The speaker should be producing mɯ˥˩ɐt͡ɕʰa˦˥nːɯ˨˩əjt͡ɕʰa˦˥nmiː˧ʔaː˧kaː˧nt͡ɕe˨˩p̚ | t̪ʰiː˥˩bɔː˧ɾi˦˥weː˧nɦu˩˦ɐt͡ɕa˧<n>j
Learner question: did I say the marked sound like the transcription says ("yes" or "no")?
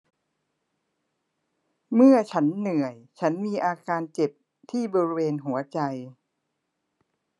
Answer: no